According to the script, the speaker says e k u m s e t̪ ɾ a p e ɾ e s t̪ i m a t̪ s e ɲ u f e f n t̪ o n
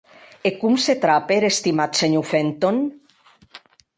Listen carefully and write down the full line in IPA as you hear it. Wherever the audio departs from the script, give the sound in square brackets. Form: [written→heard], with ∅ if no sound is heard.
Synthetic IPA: e k u m s e t̪ ɾ a p e ɾ e s t̪ i m a t̪ s e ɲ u f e [f→∅] n t̪ o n